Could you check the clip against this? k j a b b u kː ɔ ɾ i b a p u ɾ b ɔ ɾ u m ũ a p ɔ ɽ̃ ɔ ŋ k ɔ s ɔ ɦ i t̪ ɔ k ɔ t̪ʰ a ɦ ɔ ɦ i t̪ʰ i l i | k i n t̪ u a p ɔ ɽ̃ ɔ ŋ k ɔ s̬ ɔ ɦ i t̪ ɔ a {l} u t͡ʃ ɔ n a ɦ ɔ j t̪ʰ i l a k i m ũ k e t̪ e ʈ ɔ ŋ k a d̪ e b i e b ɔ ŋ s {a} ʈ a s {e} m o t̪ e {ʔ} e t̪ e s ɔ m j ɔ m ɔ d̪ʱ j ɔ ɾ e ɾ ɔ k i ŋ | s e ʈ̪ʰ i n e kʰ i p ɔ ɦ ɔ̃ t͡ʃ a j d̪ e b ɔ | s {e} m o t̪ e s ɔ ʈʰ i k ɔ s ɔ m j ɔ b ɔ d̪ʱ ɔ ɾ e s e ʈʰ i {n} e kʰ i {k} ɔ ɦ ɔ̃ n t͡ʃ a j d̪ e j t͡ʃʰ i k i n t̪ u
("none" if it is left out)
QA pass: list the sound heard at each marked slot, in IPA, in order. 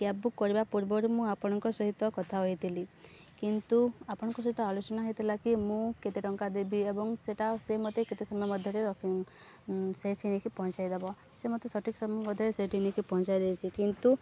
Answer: l, e, e, k, e, n, p

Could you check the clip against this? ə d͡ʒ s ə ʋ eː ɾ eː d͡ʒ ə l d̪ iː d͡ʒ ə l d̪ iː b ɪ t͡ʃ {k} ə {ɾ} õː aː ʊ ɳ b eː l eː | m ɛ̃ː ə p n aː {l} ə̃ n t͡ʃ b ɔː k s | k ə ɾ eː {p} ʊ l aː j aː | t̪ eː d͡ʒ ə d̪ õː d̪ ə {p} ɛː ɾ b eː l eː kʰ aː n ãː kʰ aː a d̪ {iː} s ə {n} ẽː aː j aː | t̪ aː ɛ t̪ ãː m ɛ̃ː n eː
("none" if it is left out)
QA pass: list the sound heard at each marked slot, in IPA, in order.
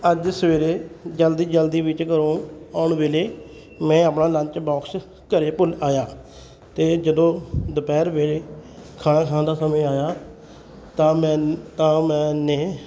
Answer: k, ɾ, l, p, p, aː, m

